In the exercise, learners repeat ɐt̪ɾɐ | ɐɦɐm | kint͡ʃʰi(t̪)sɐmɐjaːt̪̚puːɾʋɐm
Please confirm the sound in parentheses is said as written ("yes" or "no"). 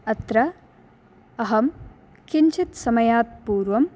yes